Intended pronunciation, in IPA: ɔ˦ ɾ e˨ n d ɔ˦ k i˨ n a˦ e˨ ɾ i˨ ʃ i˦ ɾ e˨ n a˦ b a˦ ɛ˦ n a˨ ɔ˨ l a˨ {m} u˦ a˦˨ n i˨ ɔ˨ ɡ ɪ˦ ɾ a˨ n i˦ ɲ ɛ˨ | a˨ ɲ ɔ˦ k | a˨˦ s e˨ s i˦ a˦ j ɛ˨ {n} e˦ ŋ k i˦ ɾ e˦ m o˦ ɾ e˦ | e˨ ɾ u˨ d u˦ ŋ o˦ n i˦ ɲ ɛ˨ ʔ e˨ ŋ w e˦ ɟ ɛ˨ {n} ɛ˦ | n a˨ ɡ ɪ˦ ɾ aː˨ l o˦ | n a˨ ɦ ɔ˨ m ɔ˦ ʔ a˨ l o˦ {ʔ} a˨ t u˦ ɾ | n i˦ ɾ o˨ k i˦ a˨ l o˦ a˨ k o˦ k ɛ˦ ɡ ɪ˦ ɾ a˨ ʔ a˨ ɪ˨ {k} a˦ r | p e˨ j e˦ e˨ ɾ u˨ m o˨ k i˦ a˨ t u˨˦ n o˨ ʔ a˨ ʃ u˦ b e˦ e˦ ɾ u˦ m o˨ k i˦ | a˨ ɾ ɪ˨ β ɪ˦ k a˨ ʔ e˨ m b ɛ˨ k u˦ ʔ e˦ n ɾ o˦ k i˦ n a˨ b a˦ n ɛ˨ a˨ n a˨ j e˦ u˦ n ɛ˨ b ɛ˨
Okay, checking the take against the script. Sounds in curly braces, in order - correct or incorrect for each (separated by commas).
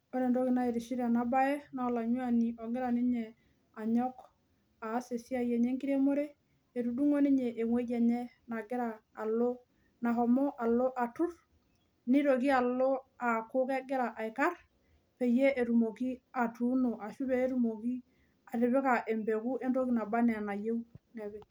incorrect, incorrect, incorrect, correct, correct